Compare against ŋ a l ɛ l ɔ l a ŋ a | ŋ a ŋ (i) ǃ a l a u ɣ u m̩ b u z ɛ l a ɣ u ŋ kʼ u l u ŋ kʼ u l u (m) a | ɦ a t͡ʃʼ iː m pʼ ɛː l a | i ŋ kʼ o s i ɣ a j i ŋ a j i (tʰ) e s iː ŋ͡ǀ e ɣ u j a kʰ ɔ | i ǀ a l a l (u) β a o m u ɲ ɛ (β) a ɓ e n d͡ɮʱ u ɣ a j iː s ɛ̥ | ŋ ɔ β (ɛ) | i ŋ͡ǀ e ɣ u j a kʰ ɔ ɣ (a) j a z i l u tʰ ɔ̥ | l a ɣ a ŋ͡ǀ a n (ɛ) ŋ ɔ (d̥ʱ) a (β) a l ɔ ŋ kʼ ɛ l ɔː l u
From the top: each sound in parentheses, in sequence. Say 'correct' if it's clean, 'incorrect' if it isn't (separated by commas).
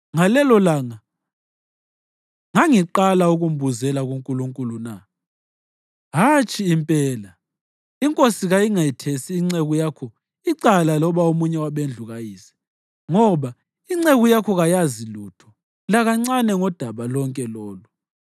correct, incorrect, correct, incorrect, incorrect, incorrect, correct, correct, correct, correct